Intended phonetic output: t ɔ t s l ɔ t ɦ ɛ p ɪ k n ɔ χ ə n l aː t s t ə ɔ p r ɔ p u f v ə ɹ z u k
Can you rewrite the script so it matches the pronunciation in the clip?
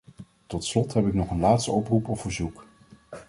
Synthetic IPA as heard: t ɔ t s l ɔ t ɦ ɛ p ɪ k n ɔ χ ə n l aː t s t ə ɔ p r u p ɔ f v ə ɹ z u k